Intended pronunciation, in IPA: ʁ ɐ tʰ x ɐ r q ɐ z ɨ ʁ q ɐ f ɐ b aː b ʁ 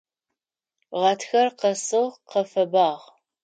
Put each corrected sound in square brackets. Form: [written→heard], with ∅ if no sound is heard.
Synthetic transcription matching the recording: ʁ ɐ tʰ x ɐ r q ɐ [z→s] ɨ ʁ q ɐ f ɐ b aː [b→∅] ʁ